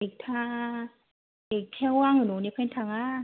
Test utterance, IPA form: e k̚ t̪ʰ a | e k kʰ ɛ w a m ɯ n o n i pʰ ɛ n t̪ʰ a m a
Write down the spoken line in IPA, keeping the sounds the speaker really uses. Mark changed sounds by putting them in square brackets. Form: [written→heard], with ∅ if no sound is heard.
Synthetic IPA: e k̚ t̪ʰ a | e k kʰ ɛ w a [m→ŋ] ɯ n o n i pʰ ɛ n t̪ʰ a [m→ŋ] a